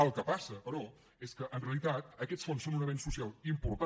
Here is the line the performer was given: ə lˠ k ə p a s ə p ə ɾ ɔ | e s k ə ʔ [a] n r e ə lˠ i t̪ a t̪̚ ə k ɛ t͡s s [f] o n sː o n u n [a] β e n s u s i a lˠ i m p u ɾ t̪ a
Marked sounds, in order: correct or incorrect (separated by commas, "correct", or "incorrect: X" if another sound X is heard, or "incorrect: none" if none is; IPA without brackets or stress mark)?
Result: incorrect: ə, correct, incorrect: ə